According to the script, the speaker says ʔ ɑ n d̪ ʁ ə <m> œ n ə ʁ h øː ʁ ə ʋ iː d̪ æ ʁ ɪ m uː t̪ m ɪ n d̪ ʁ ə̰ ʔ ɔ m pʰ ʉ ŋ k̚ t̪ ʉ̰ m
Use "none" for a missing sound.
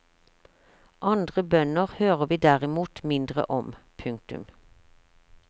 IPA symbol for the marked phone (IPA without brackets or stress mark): b